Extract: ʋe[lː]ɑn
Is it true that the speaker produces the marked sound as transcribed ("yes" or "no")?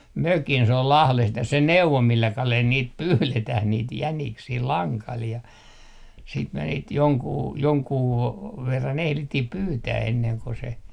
no